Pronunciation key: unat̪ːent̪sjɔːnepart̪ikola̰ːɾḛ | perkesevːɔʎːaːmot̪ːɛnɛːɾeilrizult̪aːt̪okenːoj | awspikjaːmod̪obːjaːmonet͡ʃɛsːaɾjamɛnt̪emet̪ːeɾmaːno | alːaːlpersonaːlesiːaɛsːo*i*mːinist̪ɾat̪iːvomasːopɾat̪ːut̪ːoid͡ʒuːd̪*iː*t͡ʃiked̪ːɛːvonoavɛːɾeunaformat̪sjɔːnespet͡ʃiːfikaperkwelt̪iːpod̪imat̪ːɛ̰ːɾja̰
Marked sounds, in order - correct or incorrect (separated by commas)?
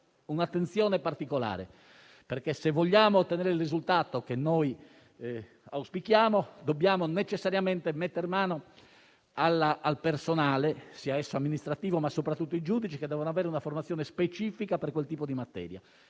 incorrect, incorrect